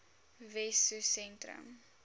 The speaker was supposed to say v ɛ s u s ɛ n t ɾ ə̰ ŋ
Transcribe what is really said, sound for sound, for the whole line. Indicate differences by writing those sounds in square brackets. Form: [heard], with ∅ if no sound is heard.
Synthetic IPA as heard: v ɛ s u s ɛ n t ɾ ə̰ [m]